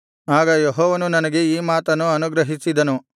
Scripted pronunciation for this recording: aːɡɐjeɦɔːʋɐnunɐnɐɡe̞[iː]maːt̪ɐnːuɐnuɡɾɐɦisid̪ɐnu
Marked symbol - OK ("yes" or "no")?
yes